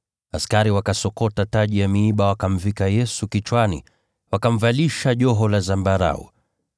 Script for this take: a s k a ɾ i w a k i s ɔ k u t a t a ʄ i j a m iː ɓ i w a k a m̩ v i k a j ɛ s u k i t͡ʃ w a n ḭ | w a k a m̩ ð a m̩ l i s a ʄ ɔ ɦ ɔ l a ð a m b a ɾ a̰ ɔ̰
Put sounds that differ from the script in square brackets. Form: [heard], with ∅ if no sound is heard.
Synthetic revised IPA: a s k a ɾ i w a k [a] s ɔ k [ɔ] t a t a ʄ i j a m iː ɓ [a] w a k a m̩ v i k a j ɛ s u k i t͡ʃ w a n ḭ | w a k a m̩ [v] a [∅] l i [ʃ] a ʄ ɔ ɦ ɔ l a [z] a m b a ɾ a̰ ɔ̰